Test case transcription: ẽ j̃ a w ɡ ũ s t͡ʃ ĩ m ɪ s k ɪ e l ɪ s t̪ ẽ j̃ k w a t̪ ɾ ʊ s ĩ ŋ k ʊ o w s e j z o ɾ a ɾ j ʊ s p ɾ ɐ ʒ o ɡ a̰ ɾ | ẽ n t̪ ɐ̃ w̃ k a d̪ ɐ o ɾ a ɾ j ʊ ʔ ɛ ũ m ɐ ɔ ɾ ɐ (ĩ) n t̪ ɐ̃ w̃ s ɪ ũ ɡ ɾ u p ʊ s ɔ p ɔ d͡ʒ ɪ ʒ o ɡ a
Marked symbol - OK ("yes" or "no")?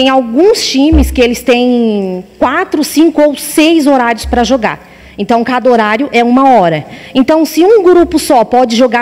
no